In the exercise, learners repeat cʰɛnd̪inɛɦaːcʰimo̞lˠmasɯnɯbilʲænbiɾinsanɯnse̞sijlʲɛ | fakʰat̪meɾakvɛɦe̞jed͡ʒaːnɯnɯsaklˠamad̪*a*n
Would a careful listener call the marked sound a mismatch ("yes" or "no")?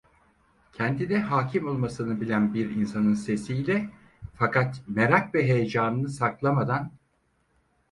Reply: no